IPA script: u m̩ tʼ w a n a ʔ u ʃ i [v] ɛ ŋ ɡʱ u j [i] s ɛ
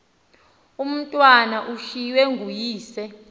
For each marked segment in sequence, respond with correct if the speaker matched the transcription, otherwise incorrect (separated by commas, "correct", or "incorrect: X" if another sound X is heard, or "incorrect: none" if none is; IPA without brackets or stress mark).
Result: incorrect: w, incorrect: iː